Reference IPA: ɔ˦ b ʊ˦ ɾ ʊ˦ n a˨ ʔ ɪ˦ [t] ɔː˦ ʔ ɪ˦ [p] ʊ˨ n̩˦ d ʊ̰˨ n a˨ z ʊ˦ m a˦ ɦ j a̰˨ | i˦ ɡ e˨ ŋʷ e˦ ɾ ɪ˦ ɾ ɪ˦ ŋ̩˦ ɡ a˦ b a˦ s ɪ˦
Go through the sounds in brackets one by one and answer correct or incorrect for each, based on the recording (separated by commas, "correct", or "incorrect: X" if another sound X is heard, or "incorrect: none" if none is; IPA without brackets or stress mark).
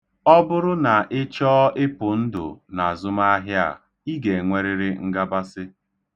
incorrect: t͡ʃ, correct